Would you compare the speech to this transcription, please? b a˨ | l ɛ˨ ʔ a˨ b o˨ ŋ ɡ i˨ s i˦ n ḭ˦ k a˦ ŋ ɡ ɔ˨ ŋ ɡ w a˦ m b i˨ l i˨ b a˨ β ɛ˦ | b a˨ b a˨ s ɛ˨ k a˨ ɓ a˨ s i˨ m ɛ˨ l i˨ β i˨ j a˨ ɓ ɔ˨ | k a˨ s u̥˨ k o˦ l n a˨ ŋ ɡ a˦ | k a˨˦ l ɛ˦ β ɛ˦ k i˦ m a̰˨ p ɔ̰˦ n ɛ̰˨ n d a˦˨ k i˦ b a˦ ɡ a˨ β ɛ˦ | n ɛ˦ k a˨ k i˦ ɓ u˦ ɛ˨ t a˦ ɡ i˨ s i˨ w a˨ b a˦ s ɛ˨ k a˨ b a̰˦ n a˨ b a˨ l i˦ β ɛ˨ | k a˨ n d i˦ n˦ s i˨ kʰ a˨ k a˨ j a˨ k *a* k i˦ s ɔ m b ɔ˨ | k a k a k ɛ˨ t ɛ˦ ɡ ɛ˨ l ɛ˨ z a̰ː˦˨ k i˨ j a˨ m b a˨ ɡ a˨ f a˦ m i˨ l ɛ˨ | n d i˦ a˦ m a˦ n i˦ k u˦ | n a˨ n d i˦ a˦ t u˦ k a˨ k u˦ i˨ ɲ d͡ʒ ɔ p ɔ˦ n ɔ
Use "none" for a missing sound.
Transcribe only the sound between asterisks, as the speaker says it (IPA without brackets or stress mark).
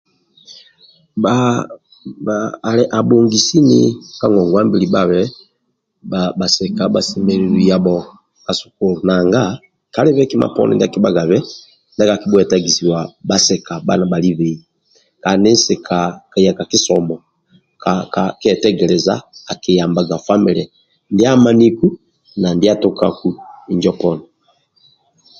a